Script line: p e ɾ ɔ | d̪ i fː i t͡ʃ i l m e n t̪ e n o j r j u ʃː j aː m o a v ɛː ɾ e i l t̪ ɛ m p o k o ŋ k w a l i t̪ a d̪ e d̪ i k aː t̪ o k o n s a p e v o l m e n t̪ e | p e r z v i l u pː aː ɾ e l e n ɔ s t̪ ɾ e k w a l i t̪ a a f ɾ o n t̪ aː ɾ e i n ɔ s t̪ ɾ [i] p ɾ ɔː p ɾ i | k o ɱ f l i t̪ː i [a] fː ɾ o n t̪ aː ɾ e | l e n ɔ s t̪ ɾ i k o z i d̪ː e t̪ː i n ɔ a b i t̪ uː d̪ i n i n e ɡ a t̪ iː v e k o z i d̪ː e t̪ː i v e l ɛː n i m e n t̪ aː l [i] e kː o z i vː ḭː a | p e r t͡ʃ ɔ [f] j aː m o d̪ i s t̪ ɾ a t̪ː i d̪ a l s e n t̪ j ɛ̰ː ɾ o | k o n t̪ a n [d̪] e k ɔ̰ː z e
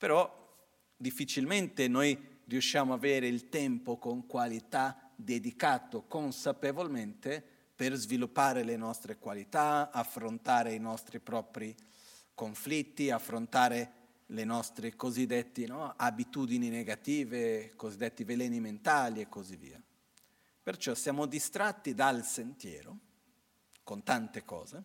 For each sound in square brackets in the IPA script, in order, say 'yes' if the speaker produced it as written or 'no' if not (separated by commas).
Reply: yes, yes, yes, no, no